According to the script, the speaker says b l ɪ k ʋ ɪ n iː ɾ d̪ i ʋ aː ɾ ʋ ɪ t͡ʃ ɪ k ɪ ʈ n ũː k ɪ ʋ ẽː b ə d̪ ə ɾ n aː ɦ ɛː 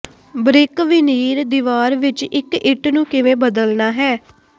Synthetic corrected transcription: b ɾ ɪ k ʋ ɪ n iː ɾ d̪ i ʋ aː ɾ ʋ ɪ t͡ʃ ɪ k ɪ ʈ n ũː k ɪ ʋ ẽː b ə d̪ ə l n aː ɦ ɛː